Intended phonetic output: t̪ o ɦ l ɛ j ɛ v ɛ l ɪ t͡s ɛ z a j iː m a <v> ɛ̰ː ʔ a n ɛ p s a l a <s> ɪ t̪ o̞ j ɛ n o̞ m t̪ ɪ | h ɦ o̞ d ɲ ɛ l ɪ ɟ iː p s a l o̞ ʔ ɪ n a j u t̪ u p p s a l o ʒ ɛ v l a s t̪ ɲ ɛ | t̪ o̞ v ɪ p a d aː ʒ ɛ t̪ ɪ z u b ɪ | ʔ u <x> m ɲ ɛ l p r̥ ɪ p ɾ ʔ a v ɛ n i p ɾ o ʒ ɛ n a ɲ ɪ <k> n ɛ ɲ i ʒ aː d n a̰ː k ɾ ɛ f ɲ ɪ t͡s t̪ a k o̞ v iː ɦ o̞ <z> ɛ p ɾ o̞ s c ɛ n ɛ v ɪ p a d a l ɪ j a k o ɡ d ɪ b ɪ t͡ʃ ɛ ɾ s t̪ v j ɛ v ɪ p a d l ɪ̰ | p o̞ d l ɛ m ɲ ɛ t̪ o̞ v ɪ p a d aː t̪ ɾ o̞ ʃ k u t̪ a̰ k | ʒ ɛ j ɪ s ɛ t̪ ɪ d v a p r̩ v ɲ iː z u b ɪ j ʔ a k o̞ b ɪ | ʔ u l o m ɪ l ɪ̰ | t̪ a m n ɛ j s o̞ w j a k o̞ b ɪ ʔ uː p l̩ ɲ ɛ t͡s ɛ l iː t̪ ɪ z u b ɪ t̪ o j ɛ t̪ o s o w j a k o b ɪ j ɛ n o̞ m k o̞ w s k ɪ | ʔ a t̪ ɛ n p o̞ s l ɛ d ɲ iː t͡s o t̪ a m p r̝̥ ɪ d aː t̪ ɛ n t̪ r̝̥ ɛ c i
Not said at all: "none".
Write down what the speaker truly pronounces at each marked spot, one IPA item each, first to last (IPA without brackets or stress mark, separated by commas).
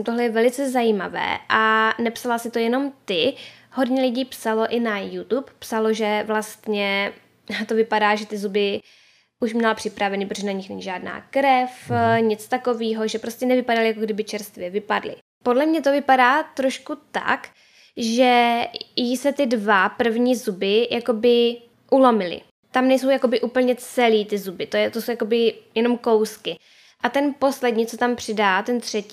v, s, ʃ, x, ʒ